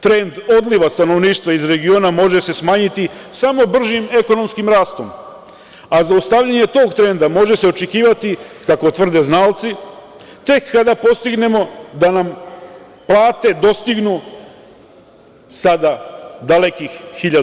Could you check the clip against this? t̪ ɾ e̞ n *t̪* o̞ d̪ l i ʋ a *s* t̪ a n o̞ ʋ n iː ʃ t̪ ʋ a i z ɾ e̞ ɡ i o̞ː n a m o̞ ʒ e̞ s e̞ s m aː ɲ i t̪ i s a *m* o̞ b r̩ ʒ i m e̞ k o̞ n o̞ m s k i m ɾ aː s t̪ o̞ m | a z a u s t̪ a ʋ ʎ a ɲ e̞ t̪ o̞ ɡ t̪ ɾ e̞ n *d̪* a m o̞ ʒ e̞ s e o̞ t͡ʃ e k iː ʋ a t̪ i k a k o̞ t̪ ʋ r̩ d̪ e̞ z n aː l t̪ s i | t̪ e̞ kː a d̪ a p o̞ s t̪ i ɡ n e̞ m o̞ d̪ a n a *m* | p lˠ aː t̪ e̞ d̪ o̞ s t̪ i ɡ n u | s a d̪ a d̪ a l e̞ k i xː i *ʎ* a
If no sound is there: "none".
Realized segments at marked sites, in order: d̪, s, m, d̪, m, ʎ

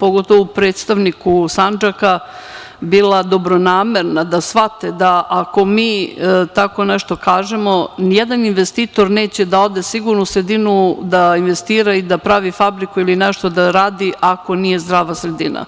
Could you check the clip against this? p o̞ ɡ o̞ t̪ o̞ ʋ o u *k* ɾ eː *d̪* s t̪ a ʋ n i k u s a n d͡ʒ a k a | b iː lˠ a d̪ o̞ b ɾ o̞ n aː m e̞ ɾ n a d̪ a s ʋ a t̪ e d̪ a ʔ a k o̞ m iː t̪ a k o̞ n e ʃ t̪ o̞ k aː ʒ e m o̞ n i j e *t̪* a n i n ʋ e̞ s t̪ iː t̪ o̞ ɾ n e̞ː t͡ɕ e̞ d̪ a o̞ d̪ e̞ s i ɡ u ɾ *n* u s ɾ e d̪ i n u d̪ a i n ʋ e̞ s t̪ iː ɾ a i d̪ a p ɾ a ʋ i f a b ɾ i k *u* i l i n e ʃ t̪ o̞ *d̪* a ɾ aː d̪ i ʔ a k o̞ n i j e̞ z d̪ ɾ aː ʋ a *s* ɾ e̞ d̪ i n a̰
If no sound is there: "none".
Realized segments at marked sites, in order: p, t̪, d̪, n, u, d̪, s

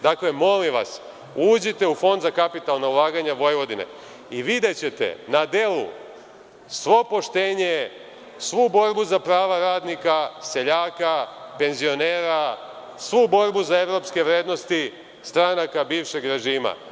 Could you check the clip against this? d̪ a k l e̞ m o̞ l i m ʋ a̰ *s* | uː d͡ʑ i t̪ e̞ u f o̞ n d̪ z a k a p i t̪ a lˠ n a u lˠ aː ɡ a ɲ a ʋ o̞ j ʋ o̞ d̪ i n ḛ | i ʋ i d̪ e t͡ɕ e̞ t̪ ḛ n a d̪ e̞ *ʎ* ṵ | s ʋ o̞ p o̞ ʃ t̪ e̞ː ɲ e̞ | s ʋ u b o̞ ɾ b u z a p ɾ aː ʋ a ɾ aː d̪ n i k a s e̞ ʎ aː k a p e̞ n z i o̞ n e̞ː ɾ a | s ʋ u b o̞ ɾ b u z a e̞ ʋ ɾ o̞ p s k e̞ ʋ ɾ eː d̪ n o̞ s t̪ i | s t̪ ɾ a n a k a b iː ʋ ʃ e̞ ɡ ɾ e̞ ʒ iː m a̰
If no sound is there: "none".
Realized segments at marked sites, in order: s, l

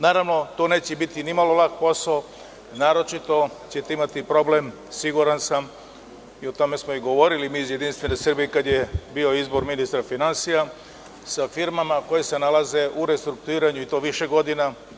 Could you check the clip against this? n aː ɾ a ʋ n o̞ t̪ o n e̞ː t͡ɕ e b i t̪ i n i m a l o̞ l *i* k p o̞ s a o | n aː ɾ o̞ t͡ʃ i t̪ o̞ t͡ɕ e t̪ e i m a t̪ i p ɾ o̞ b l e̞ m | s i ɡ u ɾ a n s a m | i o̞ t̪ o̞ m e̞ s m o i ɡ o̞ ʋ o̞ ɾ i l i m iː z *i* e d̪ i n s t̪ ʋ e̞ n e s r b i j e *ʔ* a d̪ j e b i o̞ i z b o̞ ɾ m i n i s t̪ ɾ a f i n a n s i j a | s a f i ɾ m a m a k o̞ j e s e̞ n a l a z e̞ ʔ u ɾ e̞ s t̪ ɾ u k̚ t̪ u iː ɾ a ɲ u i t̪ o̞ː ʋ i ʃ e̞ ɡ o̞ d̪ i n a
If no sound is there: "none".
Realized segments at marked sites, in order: a, j, k

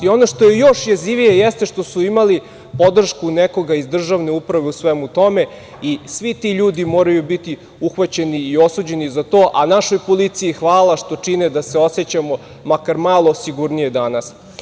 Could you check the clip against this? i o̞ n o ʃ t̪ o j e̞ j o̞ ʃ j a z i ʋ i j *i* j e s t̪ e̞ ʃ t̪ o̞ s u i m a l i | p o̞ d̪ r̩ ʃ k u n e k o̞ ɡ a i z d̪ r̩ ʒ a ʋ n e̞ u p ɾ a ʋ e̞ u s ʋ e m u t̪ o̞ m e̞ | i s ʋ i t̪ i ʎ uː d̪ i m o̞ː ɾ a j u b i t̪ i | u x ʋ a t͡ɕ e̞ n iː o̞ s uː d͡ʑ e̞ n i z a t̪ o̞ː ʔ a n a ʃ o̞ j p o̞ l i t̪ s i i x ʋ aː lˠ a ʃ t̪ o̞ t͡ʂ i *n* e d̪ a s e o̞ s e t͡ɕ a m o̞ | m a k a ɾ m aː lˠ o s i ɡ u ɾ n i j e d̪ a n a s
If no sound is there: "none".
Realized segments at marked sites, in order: e, n

